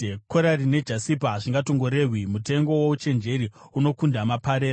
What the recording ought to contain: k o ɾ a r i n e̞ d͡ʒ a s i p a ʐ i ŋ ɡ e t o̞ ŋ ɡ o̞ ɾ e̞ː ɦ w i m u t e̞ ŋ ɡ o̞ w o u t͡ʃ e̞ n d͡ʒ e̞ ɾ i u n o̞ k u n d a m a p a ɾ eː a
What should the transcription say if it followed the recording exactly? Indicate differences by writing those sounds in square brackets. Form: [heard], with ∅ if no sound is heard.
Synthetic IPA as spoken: k o ɾ a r i n e̞ d͡ʒ a s i p a ʐ i ŋ ɡ [a] t o̞ ŋ ɡ o̞ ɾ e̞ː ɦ w i m u t e̞ ŋ ɡ o̞ w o u t͡ʃ e̞ n d͡ʒ e̞ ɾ i u n o̞ k u n d a m a p a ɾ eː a